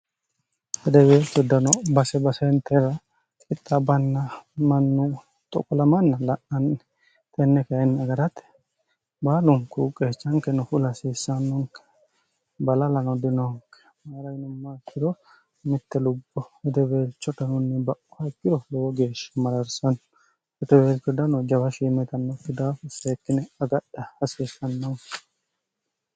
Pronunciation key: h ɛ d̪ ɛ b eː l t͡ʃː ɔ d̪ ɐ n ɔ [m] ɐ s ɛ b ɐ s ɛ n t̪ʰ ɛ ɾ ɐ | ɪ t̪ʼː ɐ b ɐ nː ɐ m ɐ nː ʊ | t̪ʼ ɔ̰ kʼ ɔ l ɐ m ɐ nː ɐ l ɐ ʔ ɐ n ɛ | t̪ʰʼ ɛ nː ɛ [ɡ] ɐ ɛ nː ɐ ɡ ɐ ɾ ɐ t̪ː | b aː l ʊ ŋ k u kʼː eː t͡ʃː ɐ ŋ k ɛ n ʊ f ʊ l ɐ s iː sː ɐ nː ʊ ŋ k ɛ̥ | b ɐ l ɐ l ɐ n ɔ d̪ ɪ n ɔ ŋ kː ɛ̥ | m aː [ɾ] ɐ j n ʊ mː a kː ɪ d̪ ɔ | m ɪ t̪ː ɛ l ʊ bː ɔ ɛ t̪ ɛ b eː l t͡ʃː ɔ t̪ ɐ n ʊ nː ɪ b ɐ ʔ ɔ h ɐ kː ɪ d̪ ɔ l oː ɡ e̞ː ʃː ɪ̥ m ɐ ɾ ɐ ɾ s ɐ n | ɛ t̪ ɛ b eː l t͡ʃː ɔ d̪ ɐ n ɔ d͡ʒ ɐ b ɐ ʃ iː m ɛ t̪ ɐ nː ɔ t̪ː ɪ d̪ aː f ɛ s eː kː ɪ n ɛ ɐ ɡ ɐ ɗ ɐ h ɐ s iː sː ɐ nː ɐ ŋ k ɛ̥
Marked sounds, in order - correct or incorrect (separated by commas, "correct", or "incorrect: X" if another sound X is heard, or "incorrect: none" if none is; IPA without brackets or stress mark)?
incorrect: b, incorrect: k, correct